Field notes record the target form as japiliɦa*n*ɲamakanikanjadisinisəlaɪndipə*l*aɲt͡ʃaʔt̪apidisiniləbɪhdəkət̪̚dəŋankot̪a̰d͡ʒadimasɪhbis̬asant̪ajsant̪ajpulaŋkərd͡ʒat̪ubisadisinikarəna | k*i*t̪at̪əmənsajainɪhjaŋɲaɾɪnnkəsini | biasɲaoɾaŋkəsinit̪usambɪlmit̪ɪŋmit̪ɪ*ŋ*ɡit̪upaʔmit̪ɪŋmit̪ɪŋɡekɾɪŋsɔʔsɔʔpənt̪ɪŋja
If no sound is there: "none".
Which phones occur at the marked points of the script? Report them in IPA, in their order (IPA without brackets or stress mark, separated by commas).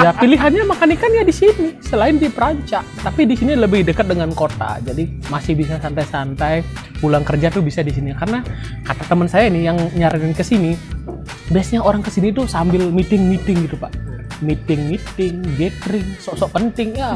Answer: n, ɾ, a, ŋ